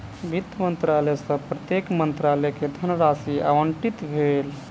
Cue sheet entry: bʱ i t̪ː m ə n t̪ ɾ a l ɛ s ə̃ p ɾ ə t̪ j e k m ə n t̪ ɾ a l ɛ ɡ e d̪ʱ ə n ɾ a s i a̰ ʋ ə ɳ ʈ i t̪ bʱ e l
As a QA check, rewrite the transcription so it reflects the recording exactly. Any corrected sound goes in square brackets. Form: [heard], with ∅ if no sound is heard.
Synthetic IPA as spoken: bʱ i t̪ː m ə n t̪ ɾ a l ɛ s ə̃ p ɾ ə t̪ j e k m ə n t̪ ɾ a l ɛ [k] e d̪ʱ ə n ɾ a s i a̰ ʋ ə ɳ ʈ i t̪ bʱ e l